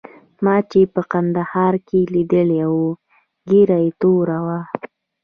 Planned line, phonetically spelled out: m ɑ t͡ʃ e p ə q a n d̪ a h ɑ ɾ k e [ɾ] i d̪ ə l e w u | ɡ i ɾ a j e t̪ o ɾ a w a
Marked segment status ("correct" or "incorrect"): incorrect